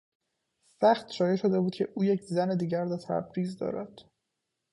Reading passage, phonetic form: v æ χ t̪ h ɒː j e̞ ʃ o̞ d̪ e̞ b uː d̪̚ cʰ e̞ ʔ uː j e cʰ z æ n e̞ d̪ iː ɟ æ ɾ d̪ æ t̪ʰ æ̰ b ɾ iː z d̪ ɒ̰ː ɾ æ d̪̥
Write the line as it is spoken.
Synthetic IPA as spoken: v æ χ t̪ ʃ ɒː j e̞ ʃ o̞ d̪ e̞ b uː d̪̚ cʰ e̞ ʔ uː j e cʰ z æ n e̞ d̪ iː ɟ æ ɾ d̪ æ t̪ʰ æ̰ b ɾ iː z d̪ ɒ̰ː ɾ æ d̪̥